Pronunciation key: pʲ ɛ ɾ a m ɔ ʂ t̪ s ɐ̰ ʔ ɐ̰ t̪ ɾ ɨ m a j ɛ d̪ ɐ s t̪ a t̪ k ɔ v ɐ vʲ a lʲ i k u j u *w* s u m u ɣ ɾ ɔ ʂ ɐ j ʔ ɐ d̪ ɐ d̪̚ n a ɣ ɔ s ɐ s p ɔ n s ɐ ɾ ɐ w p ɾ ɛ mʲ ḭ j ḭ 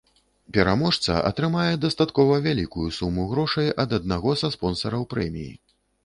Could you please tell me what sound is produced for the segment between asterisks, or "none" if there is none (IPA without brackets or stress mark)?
none